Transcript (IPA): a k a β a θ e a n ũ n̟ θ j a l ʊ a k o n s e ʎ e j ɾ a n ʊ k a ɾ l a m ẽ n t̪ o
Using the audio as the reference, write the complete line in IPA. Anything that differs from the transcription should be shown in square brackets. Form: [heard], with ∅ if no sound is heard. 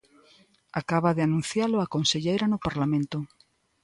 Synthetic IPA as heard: a k a β a [ð] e a n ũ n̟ θ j a l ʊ a k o n s e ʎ e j ɾ a n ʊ [p] a ɾ l a m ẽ n t̪ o